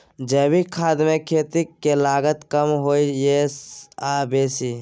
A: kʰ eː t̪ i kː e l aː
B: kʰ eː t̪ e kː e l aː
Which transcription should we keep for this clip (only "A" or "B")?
A